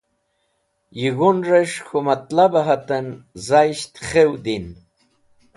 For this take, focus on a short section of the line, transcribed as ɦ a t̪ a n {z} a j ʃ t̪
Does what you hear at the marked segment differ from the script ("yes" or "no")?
no